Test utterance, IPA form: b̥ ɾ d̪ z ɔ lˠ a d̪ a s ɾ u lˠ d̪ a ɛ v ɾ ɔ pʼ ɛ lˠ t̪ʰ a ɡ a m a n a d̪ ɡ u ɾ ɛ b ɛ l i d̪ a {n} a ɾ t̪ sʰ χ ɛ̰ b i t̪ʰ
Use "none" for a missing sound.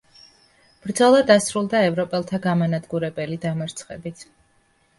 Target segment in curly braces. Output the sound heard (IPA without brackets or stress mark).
m